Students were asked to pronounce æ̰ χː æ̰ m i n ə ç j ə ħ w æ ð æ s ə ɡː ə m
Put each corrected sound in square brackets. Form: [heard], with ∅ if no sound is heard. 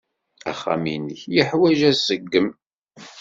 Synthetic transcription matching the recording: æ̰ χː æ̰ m i n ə ç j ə ħ w æ [ʒ] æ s ə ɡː ə m